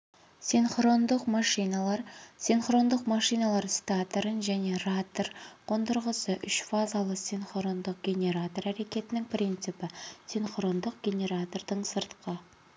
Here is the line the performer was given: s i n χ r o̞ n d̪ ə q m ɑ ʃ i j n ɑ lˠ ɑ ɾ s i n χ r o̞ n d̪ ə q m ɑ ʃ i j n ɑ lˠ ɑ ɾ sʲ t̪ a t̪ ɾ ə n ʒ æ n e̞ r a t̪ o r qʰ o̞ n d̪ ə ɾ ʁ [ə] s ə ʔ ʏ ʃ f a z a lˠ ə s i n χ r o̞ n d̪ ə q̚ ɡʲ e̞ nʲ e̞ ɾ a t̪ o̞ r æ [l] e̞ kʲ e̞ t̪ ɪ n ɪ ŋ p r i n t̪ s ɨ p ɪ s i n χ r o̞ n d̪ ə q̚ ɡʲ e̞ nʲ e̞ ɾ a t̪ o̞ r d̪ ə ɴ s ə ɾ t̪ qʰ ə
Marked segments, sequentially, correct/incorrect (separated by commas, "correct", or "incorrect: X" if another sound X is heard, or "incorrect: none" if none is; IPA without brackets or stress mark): correct, incorrect: ɾ